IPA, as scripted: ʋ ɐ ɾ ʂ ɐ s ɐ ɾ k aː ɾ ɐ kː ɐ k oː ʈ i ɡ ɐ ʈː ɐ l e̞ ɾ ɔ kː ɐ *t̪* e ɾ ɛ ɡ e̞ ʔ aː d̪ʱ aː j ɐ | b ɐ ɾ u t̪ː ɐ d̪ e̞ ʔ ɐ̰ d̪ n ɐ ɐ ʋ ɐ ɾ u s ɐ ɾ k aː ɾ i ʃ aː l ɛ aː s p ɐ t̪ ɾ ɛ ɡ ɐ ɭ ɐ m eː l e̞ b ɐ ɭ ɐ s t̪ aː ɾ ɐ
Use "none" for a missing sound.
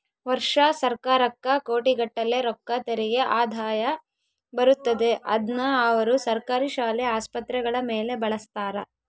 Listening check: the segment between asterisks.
t̪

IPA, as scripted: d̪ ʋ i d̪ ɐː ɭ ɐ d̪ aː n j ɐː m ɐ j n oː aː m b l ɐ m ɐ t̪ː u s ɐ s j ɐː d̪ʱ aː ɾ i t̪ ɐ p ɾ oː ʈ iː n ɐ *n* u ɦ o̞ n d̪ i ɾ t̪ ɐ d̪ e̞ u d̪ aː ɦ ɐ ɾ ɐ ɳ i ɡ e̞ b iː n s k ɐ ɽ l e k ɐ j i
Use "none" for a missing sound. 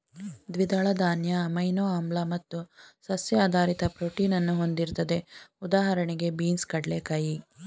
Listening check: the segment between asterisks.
nː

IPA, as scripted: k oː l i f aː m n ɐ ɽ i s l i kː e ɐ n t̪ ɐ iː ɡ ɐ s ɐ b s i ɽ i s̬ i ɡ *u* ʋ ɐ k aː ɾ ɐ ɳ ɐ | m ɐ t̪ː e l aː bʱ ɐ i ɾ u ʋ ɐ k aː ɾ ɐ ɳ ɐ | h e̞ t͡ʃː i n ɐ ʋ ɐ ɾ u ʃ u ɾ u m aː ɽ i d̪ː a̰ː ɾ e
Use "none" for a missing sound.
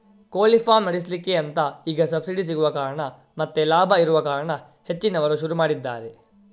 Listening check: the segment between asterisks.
u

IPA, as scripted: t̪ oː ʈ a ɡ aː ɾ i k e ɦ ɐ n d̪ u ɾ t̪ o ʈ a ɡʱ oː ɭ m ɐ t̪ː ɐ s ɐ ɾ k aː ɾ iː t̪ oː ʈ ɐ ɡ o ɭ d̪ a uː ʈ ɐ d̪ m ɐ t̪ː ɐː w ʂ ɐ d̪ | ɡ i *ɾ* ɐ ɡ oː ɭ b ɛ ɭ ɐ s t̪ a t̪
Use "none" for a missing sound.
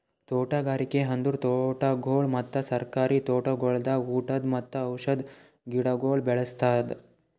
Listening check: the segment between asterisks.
ɽ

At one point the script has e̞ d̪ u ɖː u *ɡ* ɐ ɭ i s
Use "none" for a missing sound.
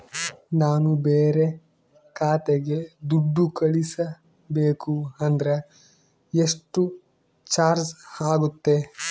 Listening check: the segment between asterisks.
k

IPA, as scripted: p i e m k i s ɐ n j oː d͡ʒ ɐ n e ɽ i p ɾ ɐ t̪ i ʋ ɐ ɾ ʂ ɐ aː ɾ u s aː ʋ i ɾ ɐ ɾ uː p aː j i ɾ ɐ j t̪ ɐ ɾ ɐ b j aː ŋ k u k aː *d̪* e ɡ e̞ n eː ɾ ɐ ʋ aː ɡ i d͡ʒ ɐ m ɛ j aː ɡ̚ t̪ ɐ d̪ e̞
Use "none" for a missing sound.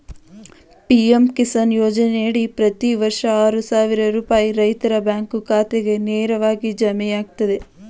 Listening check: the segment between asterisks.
t̪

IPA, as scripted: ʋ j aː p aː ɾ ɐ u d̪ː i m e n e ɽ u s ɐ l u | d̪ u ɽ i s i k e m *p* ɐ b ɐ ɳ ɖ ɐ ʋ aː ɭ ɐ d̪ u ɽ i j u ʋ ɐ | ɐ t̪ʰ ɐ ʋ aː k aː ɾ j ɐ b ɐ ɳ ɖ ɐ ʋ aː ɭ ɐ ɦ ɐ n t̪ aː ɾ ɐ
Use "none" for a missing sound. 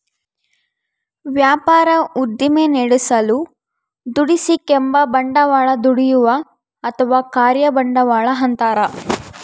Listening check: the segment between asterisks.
b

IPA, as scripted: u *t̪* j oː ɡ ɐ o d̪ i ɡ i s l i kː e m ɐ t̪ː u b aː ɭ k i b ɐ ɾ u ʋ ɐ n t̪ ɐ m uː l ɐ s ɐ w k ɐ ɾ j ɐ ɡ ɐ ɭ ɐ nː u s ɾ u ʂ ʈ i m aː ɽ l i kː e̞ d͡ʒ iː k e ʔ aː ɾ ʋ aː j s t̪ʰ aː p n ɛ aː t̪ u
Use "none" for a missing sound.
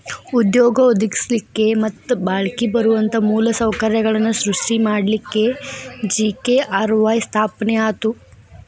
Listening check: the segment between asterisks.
d̪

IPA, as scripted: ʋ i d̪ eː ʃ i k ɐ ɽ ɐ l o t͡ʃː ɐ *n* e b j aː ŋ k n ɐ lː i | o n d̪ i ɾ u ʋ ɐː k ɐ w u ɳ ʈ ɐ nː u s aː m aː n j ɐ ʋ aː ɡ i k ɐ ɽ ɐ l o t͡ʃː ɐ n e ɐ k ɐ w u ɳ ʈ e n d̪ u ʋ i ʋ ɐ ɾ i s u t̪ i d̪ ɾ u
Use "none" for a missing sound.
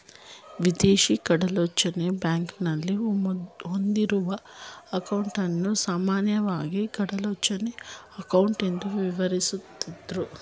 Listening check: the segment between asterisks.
n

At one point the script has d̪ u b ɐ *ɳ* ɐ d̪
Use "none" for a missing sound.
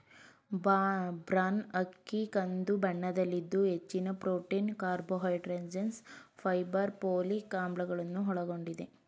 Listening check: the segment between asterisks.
ɳː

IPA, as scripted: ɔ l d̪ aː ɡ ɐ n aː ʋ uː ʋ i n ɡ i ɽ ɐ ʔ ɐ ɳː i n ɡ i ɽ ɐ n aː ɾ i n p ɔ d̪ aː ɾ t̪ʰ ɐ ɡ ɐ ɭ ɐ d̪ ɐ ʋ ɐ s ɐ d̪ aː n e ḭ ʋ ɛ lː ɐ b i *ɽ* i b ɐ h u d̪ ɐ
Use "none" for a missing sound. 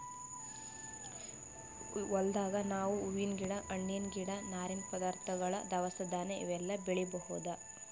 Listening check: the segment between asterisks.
ɭ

